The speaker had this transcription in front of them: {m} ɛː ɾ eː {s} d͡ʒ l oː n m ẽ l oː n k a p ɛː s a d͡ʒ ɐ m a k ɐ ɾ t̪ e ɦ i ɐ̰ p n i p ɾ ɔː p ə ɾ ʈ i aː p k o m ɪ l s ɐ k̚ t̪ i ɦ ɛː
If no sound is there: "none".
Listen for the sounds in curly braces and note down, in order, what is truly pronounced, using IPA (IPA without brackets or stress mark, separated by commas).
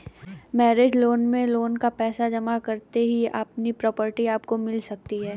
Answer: m, none